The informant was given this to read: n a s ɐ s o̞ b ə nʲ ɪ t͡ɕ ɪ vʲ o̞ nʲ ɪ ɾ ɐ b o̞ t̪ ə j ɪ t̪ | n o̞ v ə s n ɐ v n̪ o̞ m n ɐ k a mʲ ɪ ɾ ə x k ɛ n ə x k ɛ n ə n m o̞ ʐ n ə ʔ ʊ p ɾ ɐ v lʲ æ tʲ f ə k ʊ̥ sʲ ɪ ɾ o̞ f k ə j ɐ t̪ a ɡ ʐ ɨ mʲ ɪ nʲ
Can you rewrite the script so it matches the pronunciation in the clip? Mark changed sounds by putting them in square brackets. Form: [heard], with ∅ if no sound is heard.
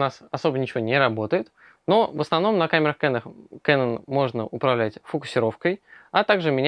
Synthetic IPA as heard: n a s ɐ s o̞ b ə nʲ ɪ t͡ɕ ɪ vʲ o̞ nʲ ɪ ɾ ɐ b o̞ t̪ ə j ɪ t̪ | n o̞ v ə s n ɐ v n̪ o̞ m n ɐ k a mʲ ɪ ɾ ə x k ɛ n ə x k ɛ n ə n m o̞ ʐ n ə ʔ ʊ p ɾ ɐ v lʲ æ tʲ f ə k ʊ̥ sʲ ɪ ɾ o̞ f k ə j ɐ t̪ a ɡ ʐ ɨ mʲ ɪ nʲ

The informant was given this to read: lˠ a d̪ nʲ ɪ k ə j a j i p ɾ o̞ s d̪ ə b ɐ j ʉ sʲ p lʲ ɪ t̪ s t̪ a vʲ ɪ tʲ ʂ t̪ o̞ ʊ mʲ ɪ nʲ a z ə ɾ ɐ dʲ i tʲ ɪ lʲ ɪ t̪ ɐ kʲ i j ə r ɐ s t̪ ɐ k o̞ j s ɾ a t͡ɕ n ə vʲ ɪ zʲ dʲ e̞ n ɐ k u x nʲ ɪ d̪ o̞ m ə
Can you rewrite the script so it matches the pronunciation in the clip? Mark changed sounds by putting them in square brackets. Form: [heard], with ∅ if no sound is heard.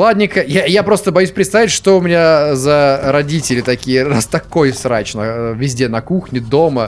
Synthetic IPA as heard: lˠ a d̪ nʲ ɪ k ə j a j [a] p ɾ o̞ s [t̪] ə b ɐ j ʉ sʲ p [ɾʲ] ɪ t̪ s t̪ a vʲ ɪ tʲ ʂ t̪ o̞ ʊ mʲ ɪ nʲ a z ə ɾ ɐ dʲ i tʲ ɪ lʲ ɪ t̪ ɐ kʲ i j ə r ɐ s t̪ ɐ k o̞ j s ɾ a t͡ɕ n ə vʲ ɪ zʲ dʲ e̞ n ɐ k u x nʲ ɪ d̪ o̞ m ə

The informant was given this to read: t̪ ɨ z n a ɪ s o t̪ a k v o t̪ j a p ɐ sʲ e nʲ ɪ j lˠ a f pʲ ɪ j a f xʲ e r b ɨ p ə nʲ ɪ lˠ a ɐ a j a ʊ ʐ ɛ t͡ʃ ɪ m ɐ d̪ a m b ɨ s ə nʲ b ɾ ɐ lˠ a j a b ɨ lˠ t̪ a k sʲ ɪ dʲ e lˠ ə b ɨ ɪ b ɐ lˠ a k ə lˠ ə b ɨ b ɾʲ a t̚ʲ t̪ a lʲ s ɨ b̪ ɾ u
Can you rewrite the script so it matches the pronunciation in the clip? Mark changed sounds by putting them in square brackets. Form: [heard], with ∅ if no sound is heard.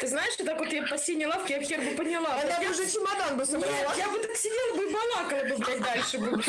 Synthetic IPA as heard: t̪ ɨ z n a ɪ [ʂ] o t̪ a k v o t̪ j a p ɐ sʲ e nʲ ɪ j lˠ a f [kʲ] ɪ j a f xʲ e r b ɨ p ə nʲ ɪ lˠ a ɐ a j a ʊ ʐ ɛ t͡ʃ ɪ m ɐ d̪ a [n] b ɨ s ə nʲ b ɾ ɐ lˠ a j a b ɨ [∅] t̪ a k sʲ ɪ dʲ e lˠ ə b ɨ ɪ b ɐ lˠ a k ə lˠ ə b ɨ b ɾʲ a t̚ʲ [d̪] a lʲ [ʂ] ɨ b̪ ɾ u

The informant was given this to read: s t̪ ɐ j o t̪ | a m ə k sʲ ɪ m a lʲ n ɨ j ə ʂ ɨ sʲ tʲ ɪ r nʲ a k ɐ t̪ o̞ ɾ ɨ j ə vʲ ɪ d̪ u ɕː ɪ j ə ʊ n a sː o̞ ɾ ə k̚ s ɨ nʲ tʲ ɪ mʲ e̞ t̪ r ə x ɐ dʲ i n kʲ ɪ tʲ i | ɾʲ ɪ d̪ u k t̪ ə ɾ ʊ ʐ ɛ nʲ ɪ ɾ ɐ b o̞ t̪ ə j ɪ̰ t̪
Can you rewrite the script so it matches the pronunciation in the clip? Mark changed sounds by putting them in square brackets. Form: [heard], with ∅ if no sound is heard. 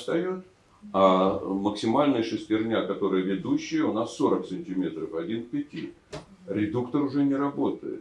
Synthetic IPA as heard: s t̪ ɐ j o t̪ | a m ə k sʲ ɪ m a lʲ n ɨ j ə ʂ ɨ sʲ tʲ ɪ r nʲ a k ɐ t̪ o̞ ɾ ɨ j ə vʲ ɪ d̪ u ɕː ɪ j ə ʊ n a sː o̞ ɾ ə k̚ s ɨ nʲ tʲ ɪ mʲ e̞ t̪ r ə [f] ɐ dʲ i n [pʲ] ɪ tʲ i | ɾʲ ɪ d̪ u k t̪ ə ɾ ʊ ʐ ɛ nʲ ɪ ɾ ɐ b o̞ t̪ ə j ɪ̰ t̪

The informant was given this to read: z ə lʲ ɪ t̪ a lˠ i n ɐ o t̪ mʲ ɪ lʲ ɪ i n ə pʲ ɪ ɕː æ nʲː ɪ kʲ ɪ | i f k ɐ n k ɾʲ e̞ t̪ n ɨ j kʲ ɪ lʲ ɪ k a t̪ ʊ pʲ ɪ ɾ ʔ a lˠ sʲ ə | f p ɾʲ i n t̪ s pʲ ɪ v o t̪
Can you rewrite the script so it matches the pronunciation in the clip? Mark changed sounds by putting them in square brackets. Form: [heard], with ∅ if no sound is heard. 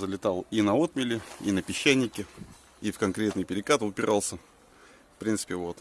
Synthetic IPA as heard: z ə lʲ ɪ t̪ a lˠ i n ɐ o t̪ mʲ ɪ lʲ ɪ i n ə pʲ ɪ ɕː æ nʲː ɪ kʲ ɪ | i f k ɐ n k ɾʲ e̞ t̪ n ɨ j [pʲ] ɪ [ɾʲ] ɪ k a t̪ ʊ pʲ ɪ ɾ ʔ a lˠ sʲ ə | f p ɾʲ i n t̪ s pʲ ɪ v o t̪

